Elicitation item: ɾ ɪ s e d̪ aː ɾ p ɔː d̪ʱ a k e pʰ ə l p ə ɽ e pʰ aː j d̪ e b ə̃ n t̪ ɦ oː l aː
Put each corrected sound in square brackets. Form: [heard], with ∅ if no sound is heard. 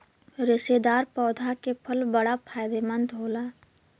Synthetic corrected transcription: ɾ ɪ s e d̪ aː ɾ p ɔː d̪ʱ a k e pʰ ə l [b] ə ɽ [a] pʰ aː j d̪ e [m] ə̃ n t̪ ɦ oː l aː